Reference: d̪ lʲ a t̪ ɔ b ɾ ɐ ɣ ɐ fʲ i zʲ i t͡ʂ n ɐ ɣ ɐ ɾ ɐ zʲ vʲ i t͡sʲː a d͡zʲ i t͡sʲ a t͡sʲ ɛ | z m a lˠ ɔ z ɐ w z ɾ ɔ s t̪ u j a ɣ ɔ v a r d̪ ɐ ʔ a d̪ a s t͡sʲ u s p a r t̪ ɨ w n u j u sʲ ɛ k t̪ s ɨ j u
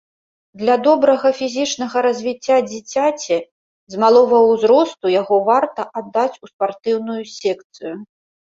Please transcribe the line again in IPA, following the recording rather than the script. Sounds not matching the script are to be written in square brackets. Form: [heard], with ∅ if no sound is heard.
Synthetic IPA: d̪ lʲ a [d̪] ɔ b ɾ ɐ ɣ ɐ fʲ i zʲ i t͡ʂ n ɐ ɣ ɐ ɾ ɐ zʲ vʲ i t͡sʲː a d͡zʲ i t͡sʲ a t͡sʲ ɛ | z m a lˠ ɔ [v] ɐ w z ɾ ɔ s t̪ u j a ɣ ɔ v a r [t̪] ɐ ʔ a [d̪ː] a [∅] t͡sʲ u s p a r t̪ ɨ w n u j u sʲ ɛ k t̪ s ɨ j u